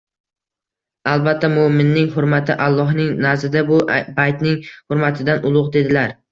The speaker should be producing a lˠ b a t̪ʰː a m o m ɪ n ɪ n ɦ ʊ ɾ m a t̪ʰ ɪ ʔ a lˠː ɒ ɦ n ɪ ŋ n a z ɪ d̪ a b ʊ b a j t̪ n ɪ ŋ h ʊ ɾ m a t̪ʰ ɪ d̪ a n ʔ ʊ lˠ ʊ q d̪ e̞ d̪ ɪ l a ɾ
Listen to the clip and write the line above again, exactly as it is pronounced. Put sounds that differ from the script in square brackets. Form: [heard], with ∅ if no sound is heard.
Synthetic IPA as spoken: a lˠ b a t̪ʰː a m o m ɪ [nː] ɪ [ŋ] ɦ ʊ ɾ m a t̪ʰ ɪ ʔ a lˠː ɒ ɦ n ɪ ŋ n a z ɪ d̪ a b ʊ b a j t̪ n ɪ ŋ h ʊ ɾ m a t̪ʰ ɪ d̪ a n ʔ ʊ lˠ ʊ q d̪ e̞ d̪ ɪ l a ɾ

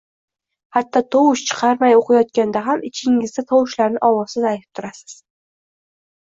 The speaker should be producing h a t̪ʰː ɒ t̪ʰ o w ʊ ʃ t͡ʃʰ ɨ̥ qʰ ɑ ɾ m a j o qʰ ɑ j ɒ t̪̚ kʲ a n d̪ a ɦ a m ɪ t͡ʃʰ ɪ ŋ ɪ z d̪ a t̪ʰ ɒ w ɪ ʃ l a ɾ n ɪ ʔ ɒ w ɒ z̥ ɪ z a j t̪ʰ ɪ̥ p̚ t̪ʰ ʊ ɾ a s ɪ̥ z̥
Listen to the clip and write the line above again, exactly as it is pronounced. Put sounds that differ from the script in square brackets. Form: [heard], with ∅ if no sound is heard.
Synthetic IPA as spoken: h a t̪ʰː ɒ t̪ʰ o w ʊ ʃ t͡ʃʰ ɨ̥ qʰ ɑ ɾ m a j o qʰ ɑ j ɒ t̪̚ kʲ a n d̪ a ɦ a m ɪ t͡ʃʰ ɪ ŋ ɪ z d̪ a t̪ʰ ɒ w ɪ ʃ l a ɾ n ɪ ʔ ɒ w ɒ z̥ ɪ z a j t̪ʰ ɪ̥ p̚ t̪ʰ ʊ ɾ a s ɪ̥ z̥

